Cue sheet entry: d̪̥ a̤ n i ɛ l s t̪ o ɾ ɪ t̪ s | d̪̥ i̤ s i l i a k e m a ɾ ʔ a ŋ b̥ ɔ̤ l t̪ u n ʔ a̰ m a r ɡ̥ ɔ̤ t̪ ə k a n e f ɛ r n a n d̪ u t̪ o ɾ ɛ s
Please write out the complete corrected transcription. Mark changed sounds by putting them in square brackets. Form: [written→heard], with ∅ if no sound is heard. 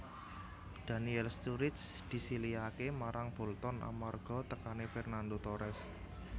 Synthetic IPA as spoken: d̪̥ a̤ n i ɛ l s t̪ [o→u] ɾ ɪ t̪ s | d̪̥ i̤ s i l i a k e m a ɾ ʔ a ŋ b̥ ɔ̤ l t̪ [u→ɔ] n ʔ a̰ m a r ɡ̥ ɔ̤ t̪ ə k a n e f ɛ r n a n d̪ [u→o] t̪ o ɾ ɛ s